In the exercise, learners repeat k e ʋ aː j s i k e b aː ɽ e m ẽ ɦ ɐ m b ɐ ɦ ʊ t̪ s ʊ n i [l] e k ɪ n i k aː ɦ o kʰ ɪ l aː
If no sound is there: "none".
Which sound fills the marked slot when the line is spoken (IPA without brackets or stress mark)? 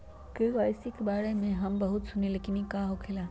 l